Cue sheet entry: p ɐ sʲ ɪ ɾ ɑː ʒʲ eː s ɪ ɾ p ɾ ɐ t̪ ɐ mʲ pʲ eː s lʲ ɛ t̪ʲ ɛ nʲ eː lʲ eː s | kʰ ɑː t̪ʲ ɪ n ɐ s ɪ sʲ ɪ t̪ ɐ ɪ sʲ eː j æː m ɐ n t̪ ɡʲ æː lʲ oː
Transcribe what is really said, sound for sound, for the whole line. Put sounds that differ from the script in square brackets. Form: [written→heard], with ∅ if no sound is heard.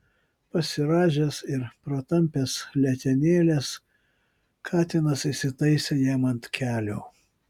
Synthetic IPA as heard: p ɐ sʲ ɪ ɾ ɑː ʒʲ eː s ɪ ɾ p ɾ ɐ t̪ ɐ mʲ pʲ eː s lʲ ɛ t̪ʲ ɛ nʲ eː lʲ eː s | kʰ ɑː t̪ʲ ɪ n ɐ s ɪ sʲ ɪ t̪ ɐ ɪ sʲ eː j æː m ɐ n t̪ [ɡʲ→kʲ] æː lʲ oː